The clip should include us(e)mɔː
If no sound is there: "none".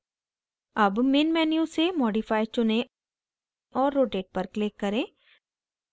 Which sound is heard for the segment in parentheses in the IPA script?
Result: e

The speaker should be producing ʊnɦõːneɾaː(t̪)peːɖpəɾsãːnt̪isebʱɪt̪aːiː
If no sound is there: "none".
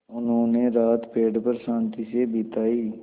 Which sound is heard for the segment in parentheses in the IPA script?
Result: t̪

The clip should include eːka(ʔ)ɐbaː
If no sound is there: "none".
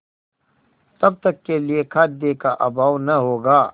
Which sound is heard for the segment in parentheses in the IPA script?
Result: ʔ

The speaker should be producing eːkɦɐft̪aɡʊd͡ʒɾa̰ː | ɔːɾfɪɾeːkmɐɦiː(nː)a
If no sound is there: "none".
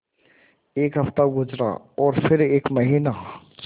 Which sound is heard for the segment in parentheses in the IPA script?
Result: n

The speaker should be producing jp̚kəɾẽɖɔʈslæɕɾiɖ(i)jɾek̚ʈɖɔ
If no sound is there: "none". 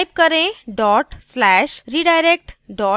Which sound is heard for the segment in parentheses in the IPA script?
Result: a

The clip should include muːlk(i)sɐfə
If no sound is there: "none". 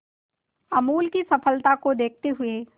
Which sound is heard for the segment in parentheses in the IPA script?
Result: i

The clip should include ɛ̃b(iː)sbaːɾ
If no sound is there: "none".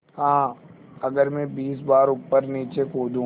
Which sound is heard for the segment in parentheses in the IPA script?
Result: iː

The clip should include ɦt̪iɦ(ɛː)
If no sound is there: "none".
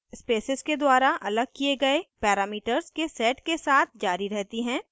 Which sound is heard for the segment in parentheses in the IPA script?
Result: ɛ̃ː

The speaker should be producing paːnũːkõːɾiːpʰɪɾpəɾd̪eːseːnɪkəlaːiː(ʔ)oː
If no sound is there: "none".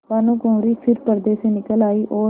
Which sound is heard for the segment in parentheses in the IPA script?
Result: ʔ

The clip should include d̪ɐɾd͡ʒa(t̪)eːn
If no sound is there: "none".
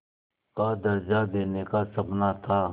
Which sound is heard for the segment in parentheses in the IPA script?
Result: d̪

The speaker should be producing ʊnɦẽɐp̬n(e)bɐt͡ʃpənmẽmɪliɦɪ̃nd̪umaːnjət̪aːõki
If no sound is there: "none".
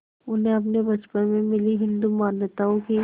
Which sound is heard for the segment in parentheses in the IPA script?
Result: e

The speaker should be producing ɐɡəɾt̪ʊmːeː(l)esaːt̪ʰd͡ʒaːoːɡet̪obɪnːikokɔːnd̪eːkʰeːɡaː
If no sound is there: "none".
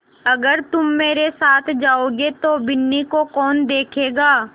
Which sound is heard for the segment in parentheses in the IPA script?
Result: ɾ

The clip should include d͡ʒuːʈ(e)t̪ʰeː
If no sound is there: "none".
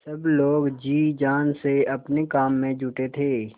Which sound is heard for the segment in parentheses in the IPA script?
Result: e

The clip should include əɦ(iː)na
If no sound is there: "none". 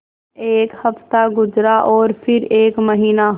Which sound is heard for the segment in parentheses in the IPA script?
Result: iː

